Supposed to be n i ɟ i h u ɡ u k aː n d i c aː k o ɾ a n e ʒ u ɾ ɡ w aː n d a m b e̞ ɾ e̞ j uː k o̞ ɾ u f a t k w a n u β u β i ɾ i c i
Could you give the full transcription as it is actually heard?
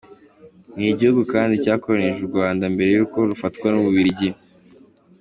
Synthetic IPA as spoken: n i ɟ i h u ɡ u k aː n d i c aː k o ɾ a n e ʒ u ɾ ɡ w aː n d a m b e̞ ɾ e̞ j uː k o̞ ɾ u f a t k w a n u β u β i ɾ i ɟ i